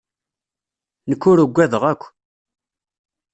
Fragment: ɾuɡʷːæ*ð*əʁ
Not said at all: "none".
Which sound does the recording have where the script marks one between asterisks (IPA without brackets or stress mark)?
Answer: ð